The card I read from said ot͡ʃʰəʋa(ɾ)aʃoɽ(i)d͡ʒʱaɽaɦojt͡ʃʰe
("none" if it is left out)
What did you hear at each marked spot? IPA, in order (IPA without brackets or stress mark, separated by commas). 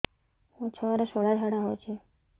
ɾ, a